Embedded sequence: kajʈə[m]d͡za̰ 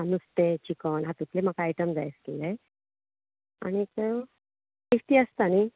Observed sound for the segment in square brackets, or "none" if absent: m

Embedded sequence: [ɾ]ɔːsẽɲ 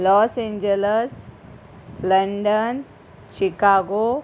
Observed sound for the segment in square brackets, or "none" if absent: l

